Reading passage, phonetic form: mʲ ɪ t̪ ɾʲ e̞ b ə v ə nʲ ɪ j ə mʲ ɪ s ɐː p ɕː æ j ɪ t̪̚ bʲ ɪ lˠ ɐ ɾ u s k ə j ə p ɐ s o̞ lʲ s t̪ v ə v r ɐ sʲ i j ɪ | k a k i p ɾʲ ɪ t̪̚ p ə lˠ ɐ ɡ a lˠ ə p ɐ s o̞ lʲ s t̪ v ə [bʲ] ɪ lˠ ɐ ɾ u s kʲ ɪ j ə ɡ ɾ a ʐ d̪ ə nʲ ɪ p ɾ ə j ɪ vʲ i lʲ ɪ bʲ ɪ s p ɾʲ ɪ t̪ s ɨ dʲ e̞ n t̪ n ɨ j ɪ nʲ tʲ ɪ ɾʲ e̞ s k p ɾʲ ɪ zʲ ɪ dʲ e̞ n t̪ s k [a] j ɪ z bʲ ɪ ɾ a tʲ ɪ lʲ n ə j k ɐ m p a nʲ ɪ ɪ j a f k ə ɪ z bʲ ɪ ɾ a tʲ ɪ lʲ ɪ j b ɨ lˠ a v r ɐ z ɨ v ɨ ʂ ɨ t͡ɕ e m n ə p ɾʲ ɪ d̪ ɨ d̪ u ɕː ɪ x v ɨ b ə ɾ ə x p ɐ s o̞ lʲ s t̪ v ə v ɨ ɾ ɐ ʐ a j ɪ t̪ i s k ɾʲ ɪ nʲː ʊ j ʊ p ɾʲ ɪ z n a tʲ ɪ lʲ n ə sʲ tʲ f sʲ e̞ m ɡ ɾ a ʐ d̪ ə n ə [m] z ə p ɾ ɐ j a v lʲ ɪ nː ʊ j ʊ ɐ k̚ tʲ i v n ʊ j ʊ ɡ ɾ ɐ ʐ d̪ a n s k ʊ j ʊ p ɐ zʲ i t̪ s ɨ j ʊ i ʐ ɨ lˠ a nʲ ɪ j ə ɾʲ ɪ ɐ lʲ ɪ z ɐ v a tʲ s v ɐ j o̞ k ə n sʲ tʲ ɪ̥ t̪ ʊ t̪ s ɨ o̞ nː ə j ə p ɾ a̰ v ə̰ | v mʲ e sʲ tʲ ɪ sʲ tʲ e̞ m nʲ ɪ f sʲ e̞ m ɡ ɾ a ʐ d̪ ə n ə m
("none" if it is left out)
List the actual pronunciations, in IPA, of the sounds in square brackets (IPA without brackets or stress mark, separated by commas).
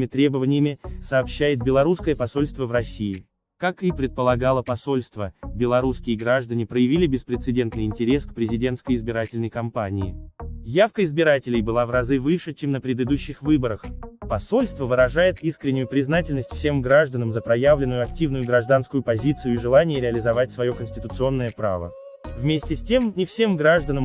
bʲ, ə, m